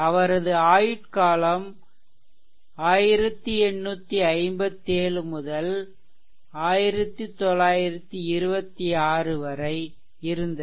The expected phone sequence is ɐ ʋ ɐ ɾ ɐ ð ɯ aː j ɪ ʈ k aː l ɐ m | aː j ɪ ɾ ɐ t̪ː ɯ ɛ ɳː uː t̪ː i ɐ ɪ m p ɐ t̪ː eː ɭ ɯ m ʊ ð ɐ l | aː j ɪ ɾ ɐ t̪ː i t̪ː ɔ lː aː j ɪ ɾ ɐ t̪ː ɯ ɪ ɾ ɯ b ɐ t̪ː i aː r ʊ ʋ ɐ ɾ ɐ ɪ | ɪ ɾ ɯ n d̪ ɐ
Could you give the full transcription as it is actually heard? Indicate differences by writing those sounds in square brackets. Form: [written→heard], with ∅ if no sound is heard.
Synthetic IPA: ɐ ʋ ɐ ɾ ɐ ð ɯ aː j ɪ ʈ k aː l ɐ m | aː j ɪ ɾ ɐ t̪ː ɯ ɛ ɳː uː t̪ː i ɐ ɪ m [p→b] ɐ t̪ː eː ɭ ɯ m ʊ ð ɐ l | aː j ɪ ɾ ɐ t̪ː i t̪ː ɔ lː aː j ɪ ɾ ɐ t̪ː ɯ ɪ ɾ ɯ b ɐ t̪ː i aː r [ʊ→ɯ] ʋ ɐ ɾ ɐ ɪ | ɪ ɾ ɯ n d̪ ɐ